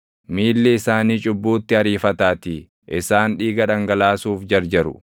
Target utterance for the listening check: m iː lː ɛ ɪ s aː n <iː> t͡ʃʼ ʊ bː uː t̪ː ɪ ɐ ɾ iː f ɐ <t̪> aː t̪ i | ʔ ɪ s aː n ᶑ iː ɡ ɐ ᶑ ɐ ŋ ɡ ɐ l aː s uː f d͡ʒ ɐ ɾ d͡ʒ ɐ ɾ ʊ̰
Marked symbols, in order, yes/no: yes, yes

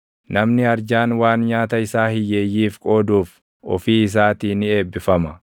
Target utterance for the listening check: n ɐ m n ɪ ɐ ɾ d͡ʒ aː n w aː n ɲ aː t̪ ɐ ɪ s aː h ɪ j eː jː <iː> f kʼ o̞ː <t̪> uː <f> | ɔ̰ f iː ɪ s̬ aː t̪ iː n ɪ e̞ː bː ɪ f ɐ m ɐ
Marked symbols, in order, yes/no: yes, no, yes

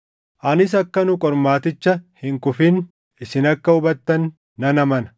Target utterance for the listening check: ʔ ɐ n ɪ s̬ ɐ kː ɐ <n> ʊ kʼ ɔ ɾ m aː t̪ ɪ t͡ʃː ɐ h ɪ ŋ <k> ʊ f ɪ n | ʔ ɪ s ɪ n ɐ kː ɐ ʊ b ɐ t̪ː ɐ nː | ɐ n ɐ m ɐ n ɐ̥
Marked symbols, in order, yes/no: yes, yes

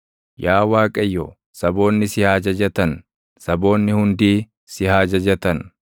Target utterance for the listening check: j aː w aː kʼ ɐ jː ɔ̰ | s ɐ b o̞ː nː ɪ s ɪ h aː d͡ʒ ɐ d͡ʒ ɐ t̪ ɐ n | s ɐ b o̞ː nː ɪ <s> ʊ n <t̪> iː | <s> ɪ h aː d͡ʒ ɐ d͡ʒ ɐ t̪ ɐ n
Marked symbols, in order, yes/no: no, no, yes

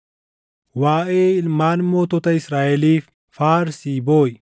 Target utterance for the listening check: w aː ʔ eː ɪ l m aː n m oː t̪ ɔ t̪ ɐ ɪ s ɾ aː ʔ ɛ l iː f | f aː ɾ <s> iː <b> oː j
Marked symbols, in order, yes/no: yes, yes

